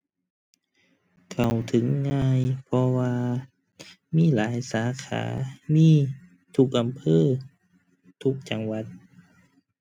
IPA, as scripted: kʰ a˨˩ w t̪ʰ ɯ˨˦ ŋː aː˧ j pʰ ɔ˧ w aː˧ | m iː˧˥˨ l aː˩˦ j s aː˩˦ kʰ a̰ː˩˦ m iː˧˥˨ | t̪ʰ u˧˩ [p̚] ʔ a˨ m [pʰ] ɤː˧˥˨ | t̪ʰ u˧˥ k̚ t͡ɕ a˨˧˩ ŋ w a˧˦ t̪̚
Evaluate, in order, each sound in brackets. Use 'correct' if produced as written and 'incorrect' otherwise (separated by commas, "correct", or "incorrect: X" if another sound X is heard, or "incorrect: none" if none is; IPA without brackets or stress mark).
incorrect: k̚, correct